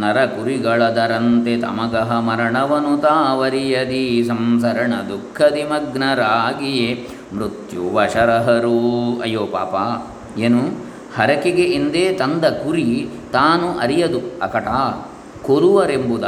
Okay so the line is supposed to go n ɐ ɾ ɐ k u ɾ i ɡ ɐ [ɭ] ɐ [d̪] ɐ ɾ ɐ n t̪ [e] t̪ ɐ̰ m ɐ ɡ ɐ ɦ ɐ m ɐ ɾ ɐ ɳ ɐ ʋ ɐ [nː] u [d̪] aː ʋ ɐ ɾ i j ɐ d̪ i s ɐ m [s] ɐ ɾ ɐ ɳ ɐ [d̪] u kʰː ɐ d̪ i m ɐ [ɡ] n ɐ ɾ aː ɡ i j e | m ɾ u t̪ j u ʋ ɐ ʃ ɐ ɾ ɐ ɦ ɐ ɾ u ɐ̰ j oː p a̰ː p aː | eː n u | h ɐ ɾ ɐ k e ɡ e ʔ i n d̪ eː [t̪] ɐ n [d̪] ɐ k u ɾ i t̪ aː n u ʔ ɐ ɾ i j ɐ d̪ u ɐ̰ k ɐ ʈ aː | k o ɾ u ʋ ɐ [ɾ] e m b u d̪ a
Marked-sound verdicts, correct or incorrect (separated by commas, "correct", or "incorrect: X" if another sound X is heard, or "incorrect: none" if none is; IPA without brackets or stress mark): correct, correct, correct, incorrect: n, incorrect: t̪, correct, correct, correct, correct, correct, correct